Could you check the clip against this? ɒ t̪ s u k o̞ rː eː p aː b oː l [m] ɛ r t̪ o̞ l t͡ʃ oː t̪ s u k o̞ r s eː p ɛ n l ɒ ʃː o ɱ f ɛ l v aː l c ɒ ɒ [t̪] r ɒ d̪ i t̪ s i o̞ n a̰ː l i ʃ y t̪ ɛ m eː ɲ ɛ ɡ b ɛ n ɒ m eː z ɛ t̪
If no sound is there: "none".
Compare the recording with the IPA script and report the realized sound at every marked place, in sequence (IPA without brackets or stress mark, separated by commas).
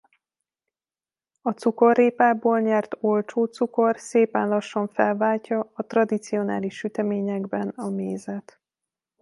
ɲ, t̪